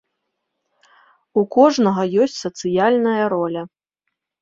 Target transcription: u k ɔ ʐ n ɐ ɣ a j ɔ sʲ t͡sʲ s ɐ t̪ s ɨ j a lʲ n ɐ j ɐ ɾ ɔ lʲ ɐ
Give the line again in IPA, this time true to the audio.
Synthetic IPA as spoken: u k ɔ ʐ n ɐ ɣ ɐ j ɔ sʲ t͡sʲ s ɐ t̪ s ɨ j a lʲ n ɐ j ɐ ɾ ɔ lʲ ɐ